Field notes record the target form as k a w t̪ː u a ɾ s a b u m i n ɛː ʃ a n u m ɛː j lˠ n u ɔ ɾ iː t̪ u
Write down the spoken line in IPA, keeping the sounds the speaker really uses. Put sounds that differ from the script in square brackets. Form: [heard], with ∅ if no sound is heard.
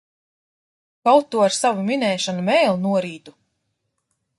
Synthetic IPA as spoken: k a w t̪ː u a ɾ s a [v] u m i n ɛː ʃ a n u m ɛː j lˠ n u ɔ ɾ iː t̪ u